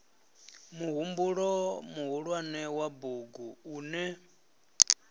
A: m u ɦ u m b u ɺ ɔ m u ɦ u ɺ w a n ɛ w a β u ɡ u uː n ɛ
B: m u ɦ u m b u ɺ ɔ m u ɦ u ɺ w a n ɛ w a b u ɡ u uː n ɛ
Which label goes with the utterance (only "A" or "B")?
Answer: B